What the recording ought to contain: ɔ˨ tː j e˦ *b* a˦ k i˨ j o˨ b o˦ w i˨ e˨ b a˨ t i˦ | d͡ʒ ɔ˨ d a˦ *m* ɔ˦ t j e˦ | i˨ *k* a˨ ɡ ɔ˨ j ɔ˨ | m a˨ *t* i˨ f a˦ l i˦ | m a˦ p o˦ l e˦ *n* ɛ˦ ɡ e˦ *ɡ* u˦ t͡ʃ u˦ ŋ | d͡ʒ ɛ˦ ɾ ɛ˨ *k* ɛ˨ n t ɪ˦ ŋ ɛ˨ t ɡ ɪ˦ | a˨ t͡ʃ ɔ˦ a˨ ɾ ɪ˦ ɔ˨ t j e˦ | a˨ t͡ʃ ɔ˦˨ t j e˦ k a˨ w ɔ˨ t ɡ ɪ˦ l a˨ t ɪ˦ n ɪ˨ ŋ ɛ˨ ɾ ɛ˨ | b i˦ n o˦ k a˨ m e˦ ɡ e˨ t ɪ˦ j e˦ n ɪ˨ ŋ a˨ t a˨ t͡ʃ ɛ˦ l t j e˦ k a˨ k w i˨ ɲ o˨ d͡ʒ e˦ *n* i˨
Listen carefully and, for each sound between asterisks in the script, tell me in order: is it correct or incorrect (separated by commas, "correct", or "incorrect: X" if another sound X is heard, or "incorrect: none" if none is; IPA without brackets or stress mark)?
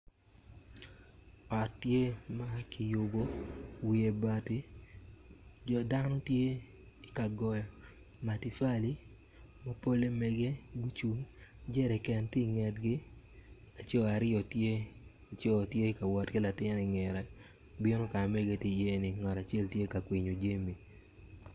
incorrect: m, incorrect: n, correct, correct, incorrect: m, correct, correct, incorrect: m